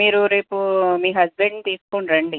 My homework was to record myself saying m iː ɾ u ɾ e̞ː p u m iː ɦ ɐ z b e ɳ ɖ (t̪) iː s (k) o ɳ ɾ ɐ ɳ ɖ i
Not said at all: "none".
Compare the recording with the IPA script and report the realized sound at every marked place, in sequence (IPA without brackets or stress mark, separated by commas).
t̪, k